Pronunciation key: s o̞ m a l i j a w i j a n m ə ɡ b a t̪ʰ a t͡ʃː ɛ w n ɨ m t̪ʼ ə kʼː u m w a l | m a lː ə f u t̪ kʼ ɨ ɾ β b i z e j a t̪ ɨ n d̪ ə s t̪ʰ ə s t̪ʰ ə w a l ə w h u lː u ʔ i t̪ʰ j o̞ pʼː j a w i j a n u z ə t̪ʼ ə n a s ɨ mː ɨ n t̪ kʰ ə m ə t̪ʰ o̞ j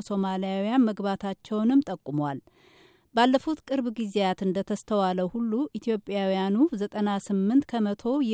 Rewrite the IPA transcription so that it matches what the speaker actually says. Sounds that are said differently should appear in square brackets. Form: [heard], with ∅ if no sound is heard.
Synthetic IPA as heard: s o̞ m a l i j a w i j a n m ə ɡ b a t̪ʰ a t͡ʃː ɛ w n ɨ m t̪ʼ ə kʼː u m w a l | [b] a lː ə f u t̪ kʼ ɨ ɾ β [ɡ] i z e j a t̪ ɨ n d̪ ə [∅] t̪ʰ ə s t̪ʰ ə w a l ə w h u lː u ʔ i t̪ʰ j o̞ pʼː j a w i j a n u z ə t̪ʼ ə n a s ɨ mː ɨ n t̪ kʰ ə m ə t̪ʰ o̞ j